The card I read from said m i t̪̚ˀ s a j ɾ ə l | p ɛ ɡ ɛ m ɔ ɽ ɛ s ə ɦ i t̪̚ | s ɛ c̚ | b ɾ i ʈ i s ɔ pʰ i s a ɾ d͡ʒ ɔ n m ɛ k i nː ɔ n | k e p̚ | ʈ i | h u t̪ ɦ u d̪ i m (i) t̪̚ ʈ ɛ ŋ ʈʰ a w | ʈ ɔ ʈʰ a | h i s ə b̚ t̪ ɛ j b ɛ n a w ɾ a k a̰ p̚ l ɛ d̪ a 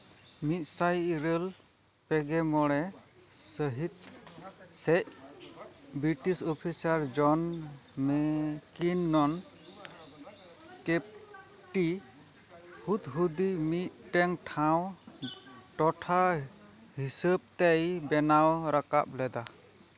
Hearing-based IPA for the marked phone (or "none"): i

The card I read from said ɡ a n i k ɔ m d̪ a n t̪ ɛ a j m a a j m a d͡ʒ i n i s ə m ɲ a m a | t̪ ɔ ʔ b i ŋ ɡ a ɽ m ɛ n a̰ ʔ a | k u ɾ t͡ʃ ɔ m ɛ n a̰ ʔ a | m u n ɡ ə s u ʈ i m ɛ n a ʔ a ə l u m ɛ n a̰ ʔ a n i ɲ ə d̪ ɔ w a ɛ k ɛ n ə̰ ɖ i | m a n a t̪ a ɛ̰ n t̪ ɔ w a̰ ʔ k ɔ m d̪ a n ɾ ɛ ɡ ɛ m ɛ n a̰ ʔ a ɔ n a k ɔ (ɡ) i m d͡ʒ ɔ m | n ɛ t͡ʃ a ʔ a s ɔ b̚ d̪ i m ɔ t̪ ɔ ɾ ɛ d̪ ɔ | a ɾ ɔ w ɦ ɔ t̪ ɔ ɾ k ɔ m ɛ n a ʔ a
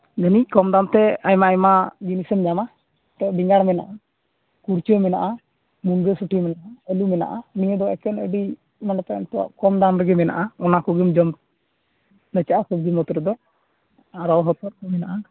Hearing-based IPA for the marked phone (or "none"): ɡ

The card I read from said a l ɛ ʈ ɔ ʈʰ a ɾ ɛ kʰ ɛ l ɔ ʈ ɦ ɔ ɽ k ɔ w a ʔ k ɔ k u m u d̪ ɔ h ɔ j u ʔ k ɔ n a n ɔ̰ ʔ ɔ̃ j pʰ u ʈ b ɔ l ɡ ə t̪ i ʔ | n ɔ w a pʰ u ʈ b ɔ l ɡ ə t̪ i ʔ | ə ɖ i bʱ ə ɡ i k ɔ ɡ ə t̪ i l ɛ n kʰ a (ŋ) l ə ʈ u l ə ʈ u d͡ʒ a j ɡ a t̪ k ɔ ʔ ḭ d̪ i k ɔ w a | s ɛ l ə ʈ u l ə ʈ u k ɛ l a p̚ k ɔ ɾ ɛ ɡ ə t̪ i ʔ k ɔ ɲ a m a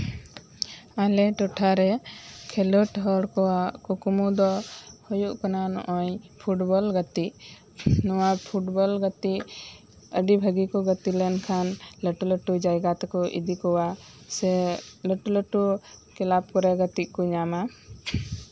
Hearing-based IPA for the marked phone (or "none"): n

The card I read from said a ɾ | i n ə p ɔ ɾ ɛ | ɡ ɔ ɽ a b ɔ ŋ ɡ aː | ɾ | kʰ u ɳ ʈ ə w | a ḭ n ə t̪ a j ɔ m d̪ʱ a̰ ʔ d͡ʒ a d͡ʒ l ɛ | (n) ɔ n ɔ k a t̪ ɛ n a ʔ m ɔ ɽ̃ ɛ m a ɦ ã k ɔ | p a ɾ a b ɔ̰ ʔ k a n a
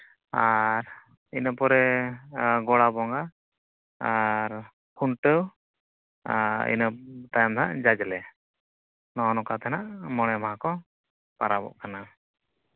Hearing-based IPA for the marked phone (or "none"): n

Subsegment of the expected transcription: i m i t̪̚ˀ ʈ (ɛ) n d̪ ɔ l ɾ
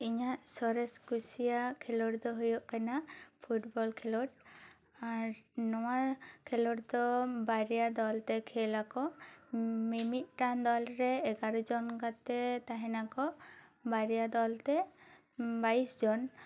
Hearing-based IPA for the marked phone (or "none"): a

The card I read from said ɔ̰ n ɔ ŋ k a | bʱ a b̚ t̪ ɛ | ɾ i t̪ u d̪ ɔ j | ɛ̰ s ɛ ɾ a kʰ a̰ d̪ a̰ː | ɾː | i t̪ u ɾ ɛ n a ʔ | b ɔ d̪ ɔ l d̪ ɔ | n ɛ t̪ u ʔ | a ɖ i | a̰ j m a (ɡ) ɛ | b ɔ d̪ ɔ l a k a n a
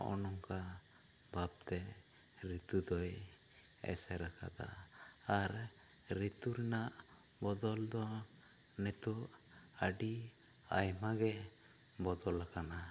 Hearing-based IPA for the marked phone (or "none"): ɡ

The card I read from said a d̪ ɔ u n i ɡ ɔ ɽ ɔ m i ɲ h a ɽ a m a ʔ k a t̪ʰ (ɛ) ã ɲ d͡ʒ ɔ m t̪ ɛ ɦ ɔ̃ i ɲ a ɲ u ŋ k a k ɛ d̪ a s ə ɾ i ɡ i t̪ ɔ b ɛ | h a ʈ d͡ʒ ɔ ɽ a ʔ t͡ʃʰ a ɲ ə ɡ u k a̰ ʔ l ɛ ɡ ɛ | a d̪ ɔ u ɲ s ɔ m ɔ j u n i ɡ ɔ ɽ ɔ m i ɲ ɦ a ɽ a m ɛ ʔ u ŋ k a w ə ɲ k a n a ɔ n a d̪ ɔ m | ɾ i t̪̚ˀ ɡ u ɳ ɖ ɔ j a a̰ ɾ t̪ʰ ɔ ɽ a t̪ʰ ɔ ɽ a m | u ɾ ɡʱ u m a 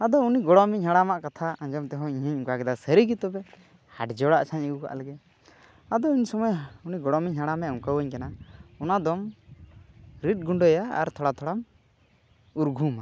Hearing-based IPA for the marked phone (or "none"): a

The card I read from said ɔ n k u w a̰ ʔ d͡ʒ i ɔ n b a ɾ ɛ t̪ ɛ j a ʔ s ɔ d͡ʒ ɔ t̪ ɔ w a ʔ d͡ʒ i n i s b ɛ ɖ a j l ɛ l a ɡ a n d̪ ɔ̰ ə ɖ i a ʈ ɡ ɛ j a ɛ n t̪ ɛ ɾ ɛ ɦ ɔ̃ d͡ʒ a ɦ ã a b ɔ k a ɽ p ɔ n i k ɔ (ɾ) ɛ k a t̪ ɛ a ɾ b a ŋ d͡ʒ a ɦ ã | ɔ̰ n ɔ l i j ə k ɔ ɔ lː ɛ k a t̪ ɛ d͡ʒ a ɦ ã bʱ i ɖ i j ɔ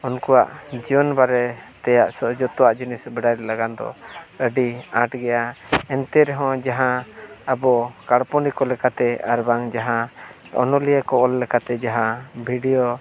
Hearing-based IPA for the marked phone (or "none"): l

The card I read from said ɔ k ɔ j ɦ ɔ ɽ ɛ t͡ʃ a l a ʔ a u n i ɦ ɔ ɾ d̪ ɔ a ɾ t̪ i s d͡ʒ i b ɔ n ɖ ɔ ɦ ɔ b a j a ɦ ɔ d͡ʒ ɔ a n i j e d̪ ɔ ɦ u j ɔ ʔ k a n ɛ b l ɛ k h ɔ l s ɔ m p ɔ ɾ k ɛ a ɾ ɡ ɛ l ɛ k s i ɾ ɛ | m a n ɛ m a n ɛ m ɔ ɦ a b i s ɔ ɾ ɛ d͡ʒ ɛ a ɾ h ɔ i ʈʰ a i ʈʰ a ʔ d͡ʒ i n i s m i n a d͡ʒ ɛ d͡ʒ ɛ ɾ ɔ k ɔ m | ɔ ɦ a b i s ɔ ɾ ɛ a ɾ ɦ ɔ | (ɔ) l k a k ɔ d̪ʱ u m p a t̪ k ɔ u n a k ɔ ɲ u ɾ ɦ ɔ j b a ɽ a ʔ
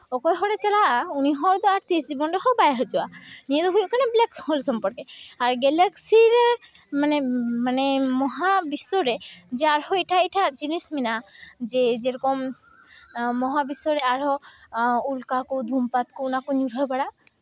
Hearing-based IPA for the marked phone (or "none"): u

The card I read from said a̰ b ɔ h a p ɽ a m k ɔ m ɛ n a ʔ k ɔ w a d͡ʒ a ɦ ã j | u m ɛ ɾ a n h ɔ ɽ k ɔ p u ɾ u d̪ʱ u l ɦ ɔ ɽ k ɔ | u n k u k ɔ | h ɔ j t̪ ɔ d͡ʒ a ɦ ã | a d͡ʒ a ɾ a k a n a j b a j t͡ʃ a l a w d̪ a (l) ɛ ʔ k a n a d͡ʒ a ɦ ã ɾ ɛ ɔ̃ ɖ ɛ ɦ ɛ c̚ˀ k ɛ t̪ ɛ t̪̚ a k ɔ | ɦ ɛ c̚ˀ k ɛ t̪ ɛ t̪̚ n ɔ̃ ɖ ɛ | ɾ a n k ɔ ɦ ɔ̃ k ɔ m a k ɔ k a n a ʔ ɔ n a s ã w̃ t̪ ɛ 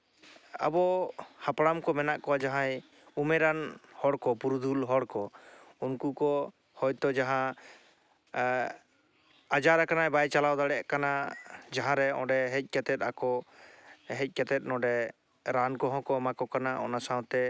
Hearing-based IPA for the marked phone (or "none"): ɽ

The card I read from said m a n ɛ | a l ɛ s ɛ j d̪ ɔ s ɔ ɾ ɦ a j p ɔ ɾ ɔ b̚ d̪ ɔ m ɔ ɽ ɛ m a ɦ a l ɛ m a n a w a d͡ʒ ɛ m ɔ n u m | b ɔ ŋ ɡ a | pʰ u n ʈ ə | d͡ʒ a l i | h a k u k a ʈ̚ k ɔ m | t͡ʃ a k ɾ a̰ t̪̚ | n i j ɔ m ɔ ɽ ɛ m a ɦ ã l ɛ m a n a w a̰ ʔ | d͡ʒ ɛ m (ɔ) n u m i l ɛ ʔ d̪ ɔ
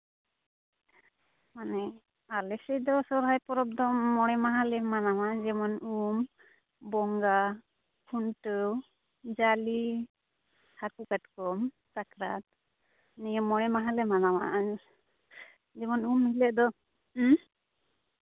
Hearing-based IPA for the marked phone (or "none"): ɔ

